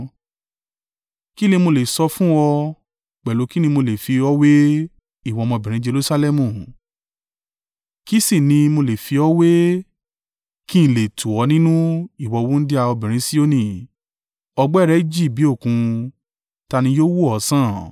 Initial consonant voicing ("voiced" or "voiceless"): voiceless